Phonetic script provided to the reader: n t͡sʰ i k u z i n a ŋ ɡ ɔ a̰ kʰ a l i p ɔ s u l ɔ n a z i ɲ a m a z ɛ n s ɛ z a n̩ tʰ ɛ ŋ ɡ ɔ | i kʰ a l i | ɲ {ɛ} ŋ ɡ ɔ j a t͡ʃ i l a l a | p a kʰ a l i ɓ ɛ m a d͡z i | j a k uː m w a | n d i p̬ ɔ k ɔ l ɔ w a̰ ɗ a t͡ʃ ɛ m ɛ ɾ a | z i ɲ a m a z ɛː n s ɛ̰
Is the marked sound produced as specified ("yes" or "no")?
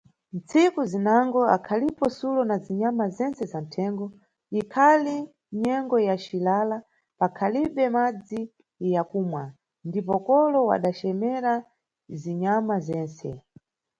yes